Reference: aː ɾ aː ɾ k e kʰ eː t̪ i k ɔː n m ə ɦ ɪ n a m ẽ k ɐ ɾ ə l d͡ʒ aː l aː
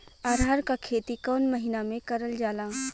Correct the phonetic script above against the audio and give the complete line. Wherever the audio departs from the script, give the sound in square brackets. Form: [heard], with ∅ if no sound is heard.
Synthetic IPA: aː ɾ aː ɾ k [a] kʰ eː t̪ i k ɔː n m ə ɦ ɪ n a m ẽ k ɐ ɾ ə l d͡ʒ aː l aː